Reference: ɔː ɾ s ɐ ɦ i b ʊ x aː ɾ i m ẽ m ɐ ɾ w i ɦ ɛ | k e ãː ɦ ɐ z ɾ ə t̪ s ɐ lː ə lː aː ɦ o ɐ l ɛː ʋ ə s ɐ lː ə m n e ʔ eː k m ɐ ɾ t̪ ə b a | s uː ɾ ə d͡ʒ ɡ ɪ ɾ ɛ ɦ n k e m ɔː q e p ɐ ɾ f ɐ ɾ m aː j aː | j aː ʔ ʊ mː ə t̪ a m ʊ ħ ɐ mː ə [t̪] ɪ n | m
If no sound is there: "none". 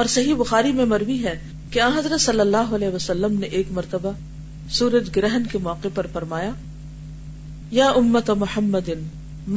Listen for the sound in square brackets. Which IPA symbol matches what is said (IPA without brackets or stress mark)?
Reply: d̪